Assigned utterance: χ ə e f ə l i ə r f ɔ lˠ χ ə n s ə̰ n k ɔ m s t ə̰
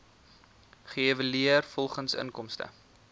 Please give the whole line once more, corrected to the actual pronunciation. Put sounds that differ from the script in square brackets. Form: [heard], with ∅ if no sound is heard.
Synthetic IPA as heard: χ ə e [v] ə l i ə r f ɔ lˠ χ ə n s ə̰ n k ɔ m s t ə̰